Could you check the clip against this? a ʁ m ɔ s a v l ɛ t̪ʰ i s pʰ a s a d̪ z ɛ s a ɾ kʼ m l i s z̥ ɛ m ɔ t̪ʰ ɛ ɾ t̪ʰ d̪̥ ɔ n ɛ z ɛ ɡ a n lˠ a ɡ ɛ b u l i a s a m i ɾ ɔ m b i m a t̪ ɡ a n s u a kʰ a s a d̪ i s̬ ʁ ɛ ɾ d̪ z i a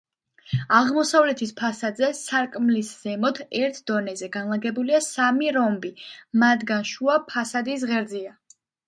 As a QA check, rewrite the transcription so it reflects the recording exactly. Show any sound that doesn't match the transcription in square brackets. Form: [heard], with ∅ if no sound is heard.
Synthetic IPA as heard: a ʁ m ɔ s a v l ɛ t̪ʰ i s pʰ a s a d̪ z ɛ s a ɾ kʼ m l i s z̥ ɛ m ɔ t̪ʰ ɛ ɾ t̪ʰ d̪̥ ɔ n ɛ z ɛ ɡ a n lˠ a ɡ ɛ b u l i a s a m i ɾ ɔ m b i m a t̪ ɡ a n [ʃ] u a [pʰ] a s a d̪ i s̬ ʁ ɛ ɾ d̪ z i a